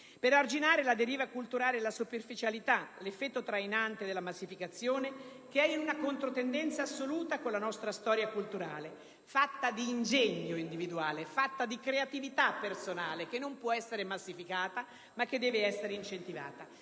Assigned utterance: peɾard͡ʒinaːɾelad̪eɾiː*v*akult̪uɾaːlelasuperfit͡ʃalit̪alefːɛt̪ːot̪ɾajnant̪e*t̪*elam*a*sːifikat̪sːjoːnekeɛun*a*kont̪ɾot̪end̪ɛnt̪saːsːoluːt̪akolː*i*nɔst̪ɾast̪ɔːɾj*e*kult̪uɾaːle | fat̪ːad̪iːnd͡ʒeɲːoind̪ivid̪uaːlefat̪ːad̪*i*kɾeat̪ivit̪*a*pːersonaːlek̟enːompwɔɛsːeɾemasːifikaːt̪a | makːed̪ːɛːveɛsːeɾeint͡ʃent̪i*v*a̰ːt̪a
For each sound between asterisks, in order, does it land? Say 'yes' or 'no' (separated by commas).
yes, no, yes, yes, no, no, yes, yes, yes